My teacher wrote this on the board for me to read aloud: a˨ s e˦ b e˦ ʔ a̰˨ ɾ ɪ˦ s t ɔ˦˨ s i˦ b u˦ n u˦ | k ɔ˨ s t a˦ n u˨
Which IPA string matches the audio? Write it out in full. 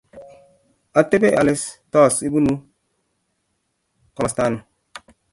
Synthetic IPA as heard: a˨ t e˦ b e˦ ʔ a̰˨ l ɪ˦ s t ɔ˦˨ s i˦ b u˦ n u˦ | k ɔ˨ s t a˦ n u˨